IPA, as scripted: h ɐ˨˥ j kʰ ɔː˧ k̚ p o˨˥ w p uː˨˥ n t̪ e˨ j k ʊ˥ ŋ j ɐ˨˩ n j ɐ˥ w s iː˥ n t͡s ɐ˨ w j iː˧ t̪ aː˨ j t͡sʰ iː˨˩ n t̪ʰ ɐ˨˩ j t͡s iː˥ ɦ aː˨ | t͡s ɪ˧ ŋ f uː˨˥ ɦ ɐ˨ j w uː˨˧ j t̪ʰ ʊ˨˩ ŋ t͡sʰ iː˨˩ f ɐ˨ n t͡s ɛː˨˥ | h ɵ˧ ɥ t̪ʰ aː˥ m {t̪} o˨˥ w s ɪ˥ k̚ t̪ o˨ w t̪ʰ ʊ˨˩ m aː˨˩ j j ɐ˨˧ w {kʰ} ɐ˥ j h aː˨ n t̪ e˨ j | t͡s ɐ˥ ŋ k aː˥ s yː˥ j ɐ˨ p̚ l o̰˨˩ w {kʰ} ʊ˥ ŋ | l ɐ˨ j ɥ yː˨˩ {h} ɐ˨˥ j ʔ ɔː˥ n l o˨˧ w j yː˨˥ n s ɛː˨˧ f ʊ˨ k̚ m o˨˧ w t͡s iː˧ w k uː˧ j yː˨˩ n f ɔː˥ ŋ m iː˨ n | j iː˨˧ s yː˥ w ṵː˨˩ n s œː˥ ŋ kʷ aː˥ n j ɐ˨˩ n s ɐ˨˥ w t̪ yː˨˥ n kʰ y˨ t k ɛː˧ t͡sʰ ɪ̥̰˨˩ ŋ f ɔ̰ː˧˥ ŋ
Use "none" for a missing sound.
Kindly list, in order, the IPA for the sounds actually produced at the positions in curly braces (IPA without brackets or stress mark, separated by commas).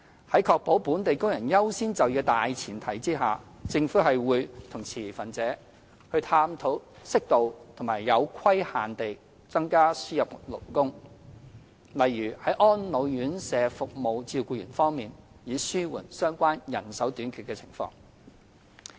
t̪ʰ, kʰ, k, h